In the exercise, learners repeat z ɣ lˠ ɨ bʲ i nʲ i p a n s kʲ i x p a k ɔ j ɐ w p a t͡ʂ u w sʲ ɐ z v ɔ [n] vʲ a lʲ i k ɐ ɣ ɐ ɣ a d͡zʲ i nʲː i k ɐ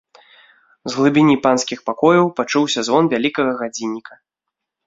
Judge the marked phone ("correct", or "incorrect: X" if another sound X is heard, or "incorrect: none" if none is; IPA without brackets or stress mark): correct